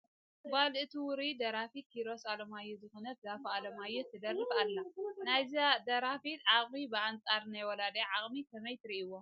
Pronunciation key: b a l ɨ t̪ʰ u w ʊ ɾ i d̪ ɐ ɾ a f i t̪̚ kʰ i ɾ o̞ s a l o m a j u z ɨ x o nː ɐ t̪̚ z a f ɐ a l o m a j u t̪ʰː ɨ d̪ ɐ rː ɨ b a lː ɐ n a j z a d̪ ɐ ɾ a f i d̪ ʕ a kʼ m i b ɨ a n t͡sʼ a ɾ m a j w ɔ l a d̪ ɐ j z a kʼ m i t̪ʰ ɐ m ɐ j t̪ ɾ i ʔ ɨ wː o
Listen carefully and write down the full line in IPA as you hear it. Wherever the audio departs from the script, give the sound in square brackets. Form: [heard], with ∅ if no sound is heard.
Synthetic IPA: b a l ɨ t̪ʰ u w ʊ ɾ i d̪ ɐ ɾ a f i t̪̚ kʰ i ɾ o̞ s a l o m a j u z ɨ x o [n] ɐ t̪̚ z a f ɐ a l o m a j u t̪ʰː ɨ d̪ ɐ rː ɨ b a lː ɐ n a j z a d̪ ɐ ɾ a f i [t̪] ʕ a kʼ m i b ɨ a n t͡sʼ a ɾ [n] a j w ɔ l a d̪ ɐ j [ʕ] a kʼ m i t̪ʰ ɐ m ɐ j t̪ ɾ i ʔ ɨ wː o